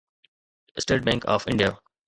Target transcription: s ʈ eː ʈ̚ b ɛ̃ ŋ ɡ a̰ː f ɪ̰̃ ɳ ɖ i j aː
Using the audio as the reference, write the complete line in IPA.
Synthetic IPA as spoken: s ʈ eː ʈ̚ b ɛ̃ ŋ k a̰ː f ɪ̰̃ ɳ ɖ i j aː